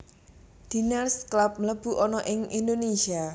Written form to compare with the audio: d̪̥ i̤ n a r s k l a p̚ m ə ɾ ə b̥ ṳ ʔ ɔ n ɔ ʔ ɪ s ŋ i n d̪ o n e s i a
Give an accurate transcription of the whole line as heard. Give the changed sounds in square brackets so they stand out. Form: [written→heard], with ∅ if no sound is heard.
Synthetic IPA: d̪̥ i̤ n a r s k l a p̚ m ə [ɾ→l] ə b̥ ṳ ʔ ɔ n ɔ ʔ ɪ [s→∅] ŋ i n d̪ o n e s i a